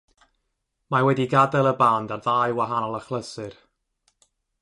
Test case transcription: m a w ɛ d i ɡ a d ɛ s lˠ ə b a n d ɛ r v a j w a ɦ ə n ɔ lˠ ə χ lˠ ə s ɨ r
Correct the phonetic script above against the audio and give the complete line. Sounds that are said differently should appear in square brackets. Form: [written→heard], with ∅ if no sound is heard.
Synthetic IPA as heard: m a w ɛ d i ɡ a d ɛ [s→∅] lˠ ə b a n d [ɛ→a] r [v→ð] a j w a ɦ [ə→a] n ɔ lˠ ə χ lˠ ə s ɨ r